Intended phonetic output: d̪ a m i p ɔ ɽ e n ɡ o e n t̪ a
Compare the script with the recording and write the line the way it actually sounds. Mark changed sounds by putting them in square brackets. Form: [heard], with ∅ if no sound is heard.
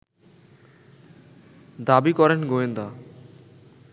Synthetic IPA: d̪ a [b] i [k] ɔ [ɾ] e n ɡ o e n [d̪] a